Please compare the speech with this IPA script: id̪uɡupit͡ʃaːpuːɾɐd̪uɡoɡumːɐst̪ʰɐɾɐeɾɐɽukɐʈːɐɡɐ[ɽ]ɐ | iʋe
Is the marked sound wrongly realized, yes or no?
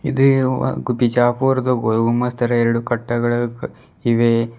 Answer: yes